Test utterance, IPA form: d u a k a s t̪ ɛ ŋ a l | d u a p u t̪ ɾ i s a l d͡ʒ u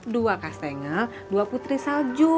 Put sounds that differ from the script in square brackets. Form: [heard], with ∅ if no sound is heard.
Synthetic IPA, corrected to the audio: d u a k a s t̪ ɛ ŋ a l | d u a p u t̪ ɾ i s a l d͡ʒ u